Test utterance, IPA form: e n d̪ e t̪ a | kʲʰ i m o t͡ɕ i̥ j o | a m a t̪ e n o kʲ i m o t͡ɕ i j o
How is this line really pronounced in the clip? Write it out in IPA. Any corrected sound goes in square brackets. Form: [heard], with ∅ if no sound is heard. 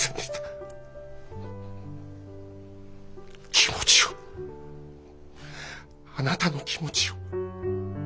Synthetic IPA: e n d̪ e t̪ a | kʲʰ i m o t͡ɕ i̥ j o | a [n] a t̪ [a] n o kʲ i m o t͡ɕ i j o